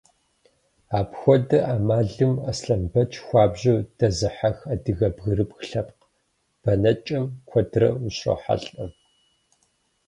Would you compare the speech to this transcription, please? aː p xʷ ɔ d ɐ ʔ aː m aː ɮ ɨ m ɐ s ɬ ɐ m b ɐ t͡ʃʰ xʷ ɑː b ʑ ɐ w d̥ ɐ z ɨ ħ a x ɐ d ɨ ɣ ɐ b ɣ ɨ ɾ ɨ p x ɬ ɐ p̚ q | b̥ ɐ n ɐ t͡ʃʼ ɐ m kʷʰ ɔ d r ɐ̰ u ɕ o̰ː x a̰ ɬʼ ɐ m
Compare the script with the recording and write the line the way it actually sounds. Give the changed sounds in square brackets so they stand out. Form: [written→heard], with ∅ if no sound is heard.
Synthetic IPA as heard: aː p xʷ ɔ d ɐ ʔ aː m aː ɮ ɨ m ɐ s ɬ ɐ m b ɐ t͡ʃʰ xʷ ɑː b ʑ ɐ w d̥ ɐ z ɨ ħ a x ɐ d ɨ ɣ ɐ b ɣ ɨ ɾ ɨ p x ɬ ɐ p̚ q | b̥ ɐ n ɐ t͡ʃʼ ɐ m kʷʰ ɔ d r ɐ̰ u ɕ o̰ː [x→ħ] a̰ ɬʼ ɐ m